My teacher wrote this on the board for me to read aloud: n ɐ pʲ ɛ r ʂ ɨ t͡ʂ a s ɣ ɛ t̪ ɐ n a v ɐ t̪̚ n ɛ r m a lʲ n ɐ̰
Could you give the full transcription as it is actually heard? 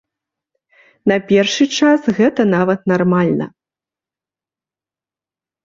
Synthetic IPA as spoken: n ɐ pʲ ɛ r ʂ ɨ t͡ʂ a s ɣ ɛ t̪ ɐ n a v ɐ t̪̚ n a r m a lʲ n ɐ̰